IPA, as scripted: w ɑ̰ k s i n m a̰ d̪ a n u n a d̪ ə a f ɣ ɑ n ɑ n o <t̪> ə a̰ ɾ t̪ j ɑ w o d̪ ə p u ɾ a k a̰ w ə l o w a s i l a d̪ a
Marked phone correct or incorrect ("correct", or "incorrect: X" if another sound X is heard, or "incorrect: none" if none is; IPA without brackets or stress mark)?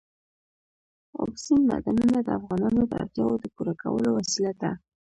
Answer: incorrect: d̪